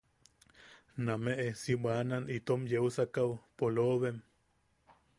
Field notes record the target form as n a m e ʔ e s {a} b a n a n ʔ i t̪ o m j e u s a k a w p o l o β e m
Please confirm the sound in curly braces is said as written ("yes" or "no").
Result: no